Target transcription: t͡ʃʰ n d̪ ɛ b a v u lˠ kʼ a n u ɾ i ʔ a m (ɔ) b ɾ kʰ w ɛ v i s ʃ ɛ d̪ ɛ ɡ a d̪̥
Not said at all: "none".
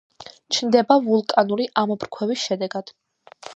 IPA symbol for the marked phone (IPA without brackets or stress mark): ɔ